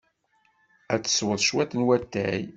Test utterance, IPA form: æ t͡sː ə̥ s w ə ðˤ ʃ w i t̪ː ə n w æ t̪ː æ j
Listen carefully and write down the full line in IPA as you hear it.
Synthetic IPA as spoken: æ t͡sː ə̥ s w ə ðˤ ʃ w æ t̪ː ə n w æ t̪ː æ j